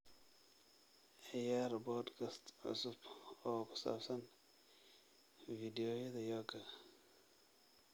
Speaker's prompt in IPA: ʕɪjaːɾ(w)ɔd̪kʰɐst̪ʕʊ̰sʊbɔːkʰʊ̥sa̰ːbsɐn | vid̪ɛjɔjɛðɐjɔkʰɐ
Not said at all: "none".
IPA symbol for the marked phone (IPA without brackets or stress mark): b